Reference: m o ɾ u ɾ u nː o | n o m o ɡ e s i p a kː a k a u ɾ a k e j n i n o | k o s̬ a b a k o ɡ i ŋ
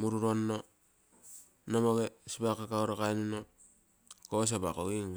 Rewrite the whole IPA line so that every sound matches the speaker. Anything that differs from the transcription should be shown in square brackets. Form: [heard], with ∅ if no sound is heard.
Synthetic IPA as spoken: m [u] ɾ u ɾ [o] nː o | n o m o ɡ e s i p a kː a k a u ɾ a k [a] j n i n o | k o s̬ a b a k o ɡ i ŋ